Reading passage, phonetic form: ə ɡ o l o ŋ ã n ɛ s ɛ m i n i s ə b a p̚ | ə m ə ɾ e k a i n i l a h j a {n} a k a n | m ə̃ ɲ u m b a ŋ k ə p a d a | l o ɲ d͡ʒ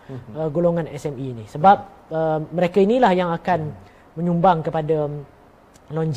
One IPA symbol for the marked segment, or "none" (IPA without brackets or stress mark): ŋ